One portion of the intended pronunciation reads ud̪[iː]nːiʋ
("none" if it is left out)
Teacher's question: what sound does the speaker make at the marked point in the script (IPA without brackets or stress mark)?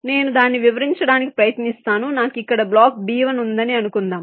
aː